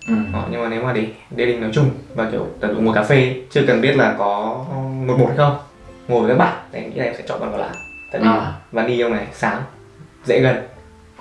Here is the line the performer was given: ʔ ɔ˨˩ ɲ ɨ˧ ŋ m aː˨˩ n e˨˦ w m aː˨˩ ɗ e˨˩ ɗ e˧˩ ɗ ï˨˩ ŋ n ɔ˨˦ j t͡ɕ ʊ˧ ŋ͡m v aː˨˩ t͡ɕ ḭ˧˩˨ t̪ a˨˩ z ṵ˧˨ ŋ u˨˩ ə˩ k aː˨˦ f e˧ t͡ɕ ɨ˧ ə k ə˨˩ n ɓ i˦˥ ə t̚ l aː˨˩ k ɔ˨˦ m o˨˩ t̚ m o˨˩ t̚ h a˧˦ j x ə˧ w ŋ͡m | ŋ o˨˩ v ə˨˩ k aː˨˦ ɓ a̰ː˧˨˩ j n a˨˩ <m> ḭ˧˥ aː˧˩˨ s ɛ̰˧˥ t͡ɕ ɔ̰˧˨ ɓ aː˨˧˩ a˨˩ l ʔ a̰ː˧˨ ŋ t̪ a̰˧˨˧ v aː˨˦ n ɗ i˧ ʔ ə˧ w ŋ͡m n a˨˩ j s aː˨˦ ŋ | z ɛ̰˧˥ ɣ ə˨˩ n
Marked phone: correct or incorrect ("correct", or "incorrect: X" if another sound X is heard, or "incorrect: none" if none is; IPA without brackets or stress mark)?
incorrect: ŋ